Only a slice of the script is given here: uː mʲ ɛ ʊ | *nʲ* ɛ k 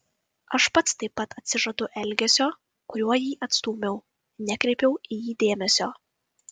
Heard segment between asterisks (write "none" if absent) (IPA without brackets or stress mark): nʲ